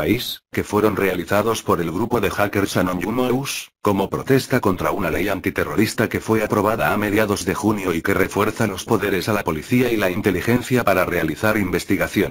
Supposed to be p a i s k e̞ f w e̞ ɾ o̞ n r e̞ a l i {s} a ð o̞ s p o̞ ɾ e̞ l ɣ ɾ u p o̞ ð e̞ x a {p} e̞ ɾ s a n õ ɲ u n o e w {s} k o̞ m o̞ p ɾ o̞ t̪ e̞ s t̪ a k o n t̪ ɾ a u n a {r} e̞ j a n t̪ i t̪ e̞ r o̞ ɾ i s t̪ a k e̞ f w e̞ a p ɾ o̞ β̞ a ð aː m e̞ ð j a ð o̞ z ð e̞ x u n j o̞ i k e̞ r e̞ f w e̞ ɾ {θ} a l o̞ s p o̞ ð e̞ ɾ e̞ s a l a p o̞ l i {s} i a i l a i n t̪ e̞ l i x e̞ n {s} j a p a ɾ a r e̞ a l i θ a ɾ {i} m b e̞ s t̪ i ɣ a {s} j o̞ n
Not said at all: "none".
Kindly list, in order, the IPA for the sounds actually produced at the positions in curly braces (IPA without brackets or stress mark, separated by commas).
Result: θ, k, s, l, θ, θ, θ, i, θ